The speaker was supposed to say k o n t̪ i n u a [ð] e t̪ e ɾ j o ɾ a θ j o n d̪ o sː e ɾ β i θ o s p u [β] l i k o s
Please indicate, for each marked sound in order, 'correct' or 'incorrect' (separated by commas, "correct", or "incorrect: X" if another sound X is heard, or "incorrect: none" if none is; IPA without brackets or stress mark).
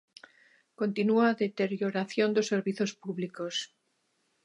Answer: correct, correct